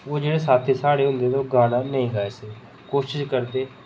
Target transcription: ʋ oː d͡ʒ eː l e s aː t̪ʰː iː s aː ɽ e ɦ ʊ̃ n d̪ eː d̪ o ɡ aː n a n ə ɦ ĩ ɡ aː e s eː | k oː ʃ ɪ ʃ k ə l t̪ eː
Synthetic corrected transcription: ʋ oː d͡ʒ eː ɽ e s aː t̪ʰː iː s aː ɽ e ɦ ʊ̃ n d̪ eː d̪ o ɡ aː n a n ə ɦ ĩ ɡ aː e s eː | k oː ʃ ɪ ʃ k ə ɾ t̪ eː